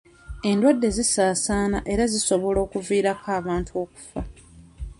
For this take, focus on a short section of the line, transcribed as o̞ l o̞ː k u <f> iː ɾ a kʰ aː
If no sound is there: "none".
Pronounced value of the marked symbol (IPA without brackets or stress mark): v